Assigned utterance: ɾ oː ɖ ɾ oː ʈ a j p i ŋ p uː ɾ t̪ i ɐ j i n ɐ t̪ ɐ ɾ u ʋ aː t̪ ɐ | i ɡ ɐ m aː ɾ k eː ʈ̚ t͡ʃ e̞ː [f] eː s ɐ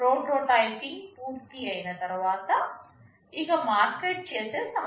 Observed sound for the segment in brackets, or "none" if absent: s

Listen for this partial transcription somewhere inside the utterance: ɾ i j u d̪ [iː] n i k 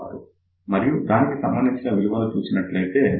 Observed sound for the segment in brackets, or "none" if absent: aː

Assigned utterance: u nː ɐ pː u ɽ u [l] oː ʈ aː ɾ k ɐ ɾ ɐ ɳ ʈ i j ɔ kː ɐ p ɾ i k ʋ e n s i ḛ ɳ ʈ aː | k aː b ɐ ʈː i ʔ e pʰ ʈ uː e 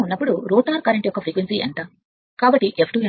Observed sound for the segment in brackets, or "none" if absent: ɾ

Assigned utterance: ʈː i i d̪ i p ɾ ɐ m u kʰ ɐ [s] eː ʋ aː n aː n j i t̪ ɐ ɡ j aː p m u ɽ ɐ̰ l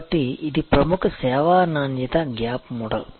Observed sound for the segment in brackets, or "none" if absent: s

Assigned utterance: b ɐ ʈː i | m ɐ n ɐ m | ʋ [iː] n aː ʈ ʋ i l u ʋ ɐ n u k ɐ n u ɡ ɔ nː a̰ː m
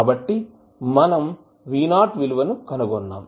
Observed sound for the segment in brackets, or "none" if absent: iː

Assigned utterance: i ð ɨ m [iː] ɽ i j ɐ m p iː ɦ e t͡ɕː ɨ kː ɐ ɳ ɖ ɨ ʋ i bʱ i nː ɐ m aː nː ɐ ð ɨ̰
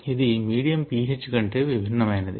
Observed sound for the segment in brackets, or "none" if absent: iː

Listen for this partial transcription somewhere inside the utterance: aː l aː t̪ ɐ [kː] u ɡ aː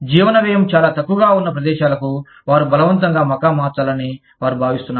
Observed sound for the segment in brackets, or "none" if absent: kː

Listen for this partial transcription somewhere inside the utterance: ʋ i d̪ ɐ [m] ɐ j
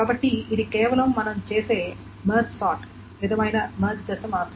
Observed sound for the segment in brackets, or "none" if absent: m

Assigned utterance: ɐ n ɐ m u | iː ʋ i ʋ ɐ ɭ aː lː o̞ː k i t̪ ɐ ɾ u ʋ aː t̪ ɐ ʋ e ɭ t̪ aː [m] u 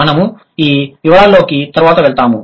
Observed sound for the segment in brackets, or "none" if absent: m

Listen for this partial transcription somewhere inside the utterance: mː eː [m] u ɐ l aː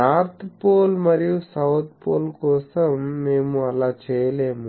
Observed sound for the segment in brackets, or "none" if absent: m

